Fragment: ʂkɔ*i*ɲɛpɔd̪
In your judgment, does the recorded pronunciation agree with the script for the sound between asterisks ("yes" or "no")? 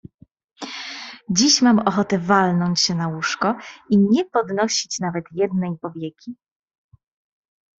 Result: yes